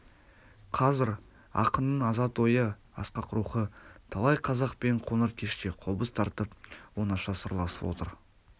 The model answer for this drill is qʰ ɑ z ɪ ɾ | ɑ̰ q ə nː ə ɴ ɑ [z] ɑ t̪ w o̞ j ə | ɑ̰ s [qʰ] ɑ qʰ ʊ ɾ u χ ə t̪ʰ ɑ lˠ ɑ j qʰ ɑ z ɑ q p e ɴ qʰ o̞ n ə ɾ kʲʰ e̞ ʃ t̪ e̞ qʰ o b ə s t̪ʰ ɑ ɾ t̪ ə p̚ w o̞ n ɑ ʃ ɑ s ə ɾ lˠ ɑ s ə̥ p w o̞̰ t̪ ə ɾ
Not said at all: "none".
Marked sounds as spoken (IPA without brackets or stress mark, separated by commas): z, q